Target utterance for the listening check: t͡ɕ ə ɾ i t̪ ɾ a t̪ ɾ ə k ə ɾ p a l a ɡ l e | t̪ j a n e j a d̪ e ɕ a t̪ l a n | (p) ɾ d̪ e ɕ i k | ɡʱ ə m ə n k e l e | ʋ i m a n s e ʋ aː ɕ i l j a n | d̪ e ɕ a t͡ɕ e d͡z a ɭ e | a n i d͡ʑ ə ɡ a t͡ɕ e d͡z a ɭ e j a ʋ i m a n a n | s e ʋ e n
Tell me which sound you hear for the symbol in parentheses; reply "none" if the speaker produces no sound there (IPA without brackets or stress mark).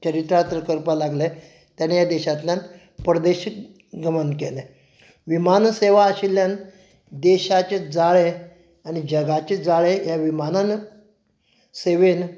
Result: p